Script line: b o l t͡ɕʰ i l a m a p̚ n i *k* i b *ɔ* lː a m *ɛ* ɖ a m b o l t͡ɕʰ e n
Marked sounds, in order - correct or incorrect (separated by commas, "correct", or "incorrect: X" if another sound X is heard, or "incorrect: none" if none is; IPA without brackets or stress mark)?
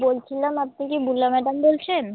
correct, incorrect: u, correct